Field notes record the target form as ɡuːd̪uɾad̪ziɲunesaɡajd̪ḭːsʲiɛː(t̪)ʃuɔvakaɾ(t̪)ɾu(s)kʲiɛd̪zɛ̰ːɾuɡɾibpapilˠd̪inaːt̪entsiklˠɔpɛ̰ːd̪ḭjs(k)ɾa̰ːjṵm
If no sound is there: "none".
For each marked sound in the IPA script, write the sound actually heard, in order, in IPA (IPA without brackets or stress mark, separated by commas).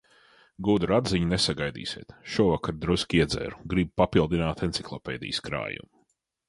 t̪, d̪, s, k